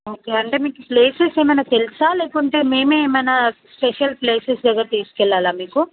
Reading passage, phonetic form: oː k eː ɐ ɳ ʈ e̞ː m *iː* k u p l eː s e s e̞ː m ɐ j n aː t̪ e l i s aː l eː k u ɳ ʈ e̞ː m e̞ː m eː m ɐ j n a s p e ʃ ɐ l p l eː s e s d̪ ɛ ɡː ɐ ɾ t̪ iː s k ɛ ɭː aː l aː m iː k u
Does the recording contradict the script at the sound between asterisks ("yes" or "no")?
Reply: no